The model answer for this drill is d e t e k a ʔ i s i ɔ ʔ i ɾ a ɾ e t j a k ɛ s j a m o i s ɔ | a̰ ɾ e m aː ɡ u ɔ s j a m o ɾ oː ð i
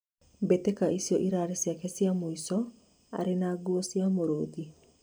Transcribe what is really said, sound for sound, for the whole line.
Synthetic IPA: b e t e k a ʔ i s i ɔ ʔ i ɾ a ɾ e s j a k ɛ s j a m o i s ɔ | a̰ ɾ e n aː ɡ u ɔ s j a m o ɾ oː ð i